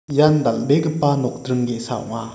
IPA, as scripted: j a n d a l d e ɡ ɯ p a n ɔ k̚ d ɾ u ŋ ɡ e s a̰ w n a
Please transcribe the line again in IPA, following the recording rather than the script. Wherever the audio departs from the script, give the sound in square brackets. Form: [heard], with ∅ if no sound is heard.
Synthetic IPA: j a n d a l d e ɡ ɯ p a n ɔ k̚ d ɾ [ɯ] ŋ ɡ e s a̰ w [ŋ] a